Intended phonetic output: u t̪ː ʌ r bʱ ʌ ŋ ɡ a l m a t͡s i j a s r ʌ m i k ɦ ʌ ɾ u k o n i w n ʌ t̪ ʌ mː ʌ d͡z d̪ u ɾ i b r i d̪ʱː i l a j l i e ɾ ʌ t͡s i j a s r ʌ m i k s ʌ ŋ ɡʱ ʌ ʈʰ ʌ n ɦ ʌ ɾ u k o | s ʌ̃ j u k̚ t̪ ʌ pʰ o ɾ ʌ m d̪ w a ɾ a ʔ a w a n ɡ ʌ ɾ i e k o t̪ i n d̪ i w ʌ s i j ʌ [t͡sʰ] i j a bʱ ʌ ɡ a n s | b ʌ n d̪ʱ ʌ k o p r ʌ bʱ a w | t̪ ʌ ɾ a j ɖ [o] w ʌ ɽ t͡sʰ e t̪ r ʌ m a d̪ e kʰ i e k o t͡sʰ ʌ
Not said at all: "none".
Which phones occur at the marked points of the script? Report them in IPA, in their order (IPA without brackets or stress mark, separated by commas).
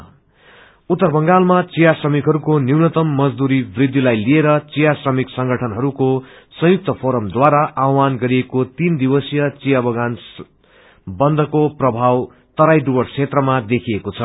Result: t͡s, u